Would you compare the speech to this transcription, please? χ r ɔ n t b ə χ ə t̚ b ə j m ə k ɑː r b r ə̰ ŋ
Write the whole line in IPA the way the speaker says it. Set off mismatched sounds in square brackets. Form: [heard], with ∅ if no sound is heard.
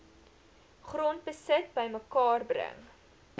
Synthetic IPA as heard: χ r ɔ n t b ə [s] ə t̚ b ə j m ə k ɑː r b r ə̰ ŋ